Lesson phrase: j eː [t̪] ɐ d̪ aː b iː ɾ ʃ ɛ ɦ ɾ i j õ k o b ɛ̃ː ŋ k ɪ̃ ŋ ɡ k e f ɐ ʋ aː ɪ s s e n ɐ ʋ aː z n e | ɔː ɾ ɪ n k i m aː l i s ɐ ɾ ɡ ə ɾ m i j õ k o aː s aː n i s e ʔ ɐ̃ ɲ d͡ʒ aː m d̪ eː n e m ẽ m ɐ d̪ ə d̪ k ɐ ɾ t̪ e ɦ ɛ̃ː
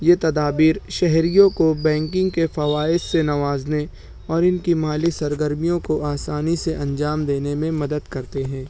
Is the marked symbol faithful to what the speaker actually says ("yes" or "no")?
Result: yes